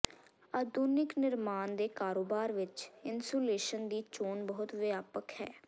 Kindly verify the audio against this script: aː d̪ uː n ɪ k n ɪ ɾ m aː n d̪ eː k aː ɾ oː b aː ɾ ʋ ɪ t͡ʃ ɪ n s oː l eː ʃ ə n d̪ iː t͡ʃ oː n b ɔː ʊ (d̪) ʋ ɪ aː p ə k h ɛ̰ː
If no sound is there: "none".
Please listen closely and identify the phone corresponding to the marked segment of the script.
t̪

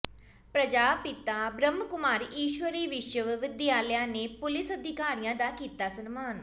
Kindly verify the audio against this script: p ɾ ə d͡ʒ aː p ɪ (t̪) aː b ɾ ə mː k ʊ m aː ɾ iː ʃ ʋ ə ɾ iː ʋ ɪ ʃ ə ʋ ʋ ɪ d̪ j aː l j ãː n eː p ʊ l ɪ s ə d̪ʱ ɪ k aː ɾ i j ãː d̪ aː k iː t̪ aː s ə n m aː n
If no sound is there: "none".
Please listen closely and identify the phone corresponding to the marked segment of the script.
t̪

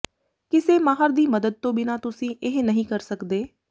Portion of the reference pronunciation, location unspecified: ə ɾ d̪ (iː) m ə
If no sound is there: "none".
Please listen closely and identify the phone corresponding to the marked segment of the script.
iː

